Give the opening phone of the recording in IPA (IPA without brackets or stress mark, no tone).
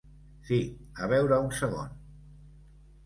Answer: s